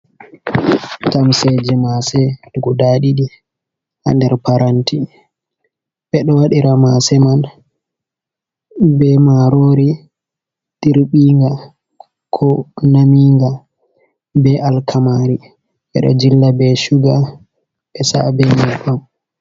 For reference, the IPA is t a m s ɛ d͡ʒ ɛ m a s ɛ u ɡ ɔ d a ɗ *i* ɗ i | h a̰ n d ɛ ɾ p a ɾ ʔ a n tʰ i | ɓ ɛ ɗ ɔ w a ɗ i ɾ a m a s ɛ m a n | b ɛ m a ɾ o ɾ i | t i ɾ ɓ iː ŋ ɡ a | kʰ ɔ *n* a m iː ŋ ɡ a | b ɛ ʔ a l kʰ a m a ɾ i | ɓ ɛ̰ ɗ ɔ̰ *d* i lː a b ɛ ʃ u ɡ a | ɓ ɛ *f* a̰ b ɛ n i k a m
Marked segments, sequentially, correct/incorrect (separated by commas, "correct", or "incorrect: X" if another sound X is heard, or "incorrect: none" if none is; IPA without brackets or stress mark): correct, correct, incorrect: d͡ʒ, incorrect: s